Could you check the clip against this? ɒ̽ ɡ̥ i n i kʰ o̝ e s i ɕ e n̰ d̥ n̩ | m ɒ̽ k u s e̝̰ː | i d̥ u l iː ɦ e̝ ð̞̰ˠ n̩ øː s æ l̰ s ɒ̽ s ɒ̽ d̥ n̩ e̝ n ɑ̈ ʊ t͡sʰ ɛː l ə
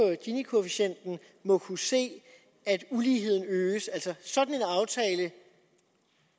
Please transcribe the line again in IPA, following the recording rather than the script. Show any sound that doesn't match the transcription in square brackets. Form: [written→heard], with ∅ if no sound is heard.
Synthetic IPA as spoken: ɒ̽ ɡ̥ i n i kʰ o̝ e [s→f] i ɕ e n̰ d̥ n̩ | m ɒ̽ [k→kʰ] u s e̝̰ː | [i→æ] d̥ u l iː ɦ e̝ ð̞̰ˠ n̩ øː s æ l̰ s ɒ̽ s ɒ̽ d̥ n̩ e̝ n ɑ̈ ʊ t͡sʰ ɛː l ə